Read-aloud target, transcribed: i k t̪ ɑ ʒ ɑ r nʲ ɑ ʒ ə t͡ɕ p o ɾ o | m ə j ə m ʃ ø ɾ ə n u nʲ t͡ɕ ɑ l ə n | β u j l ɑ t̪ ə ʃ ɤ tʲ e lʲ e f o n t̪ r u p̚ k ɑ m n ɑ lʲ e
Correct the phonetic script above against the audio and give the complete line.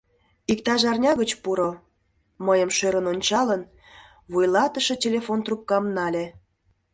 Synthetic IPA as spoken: i k t̪ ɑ ʒ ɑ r nʲ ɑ ɣ ə t͡ɕ p u ɾ o | m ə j ə m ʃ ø ɾ ə n o nʲ t͡ɕ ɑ l ə n | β u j l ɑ t̪ ə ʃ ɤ tʲ e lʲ e f o n t̪ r u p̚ k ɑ m n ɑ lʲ e